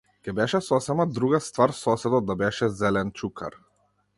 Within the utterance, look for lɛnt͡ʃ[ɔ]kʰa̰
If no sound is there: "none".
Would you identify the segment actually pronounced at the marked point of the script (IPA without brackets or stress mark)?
u